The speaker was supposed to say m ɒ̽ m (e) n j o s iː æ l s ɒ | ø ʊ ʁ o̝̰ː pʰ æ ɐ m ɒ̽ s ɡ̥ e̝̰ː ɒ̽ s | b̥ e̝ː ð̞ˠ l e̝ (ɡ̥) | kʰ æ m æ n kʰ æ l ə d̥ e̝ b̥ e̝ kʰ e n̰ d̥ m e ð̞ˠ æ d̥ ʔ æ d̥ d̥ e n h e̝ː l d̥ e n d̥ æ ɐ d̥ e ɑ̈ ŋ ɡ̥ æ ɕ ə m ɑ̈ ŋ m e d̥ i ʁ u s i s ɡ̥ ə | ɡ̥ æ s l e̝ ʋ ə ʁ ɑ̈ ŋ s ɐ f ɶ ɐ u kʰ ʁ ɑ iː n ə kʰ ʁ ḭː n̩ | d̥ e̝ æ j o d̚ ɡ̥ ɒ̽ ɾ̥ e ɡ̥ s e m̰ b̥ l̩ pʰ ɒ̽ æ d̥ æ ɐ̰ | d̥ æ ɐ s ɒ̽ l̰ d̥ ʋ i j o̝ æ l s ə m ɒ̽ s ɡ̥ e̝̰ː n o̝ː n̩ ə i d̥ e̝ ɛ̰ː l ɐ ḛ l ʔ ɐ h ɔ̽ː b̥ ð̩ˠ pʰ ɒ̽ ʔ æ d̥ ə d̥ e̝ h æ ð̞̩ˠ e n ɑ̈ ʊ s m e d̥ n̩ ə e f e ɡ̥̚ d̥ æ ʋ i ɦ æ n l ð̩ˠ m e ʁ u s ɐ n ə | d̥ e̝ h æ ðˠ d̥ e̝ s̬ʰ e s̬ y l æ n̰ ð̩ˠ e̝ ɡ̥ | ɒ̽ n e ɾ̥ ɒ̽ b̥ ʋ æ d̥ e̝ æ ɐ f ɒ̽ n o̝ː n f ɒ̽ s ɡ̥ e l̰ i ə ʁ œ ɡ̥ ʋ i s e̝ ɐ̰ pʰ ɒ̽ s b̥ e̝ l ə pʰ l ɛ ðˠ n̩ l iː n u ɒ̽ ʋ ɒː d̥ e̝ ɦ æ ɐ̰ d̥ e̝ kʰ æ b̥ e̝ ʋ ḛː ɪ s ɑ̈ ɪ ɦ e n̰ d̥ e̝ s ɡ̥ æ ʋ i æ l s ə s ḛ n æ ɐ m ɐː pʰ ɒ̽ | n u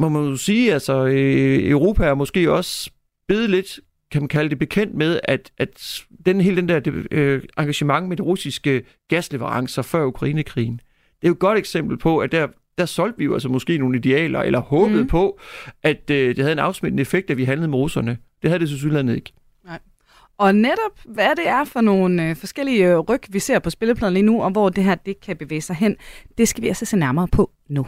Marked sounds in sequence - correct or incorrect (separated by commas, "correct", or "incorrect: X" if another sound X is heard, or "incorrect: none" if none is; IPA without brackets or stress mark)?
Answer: incorrect: æ, incorrect: d̥